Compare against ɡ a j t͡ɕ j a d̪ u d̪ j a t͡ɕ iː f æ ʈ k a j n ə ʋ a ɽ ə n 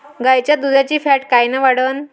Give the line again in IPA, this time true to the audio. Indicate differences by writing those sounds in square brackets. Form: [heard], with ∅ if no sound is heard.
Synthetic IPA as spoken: ɡ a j t͡ɕ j a d̪ u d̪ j a t͡ɕ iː f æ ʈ k a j n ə ʋ a ɽ ə n